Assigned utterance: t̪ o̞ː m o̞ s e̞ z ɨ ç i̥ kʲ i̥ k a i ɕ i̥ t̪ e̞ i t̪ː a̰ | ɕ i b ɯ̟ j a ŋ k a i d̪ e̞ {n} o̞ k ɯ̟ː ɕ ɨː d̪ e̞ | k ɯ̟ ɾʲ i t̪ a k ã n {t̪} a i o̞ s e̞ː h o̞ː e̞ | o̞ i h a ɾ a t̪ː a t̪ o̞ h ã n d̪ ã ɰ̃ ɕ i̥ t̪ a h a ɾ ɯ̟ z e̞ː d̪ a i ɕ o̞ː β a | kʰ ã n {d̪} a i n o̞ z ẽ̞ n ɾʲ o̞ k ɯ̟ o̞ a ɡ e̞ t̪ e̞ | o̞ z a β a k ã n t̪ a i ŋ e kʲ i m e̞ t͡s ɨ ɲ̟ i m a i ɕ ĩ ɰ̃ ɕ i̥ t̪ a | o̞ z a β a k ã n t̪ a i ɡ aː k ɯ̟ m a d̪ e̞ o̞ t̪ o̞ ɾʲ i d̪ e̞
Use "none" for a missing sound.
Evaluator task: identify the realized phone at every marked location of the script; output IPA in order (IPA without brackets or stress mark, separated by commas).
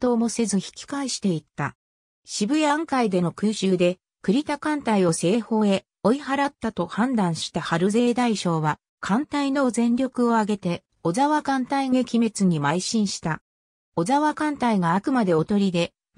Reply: n, t̪, t̪